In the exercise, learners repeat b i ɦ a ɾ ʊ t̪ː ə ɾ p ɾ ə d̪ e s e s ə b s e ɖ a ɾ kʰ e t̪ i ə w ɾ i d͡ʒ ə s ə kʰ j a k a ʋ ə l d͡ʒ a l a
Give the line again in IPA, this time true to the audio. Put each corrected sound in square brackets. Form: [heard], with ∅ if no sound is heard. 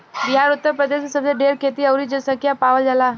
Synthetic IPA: b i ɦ a ɾ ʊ t̪ː ə ɾ p ɾ ə d̪ e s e s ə b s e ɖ [e] ɾ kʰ e t̪ i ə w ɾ i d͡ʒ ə s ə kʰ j a [p] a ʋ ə l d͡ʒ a l a